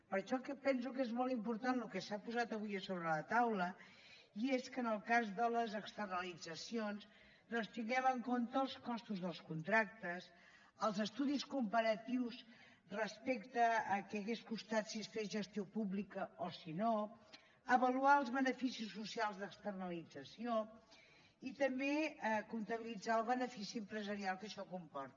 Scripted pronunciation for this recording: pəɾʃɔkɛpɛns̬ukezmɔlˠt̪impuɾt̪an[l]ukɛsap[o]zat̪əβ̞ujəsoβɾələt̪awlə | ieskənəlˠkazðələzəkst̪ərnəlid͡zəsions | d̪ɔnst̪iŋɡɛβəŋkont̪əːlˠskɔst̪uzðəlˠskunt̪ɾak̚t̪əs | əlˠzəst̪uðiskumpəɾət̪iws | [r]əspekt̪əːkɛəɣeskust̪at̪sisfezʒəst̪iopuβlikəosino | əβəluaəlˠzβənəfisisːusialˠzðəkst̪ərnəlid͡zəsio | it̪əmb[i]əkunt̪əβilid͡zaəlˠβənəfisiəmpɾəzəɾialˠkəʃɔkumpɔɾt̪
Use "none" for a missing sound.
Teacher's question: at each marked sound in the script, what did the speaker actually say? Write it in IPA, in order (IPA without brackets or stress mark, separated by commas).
l, u, r, e